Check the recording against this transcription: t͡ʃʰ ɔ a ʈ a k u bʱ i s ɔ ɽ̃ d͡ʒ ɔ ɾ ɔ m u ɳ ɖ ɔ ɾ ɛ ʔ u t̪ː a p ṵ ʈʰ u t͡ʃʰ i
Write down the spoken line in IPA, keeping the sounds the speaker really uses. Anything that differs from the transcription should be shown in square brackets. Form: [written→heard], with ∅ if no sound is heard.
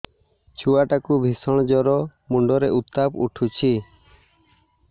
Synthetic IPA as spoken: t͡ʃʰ [ɔ→u] a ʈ a k u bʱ i s ɔ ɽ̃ d͡ʒ ɔ ɾ ɔ m u ɳ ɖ ɔ ɾ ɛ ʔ u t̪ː a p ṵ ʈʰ u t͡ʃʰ i